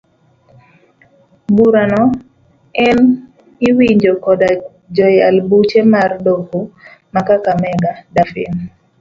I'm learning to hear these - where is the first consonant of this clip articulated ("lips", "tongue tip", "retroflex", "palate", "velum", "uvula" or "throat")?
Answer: lips